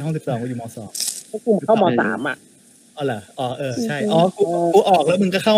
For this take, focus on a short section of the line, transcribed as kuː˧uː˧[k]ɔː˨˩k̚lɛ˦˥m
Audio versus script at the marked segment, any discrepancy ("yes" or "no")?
yes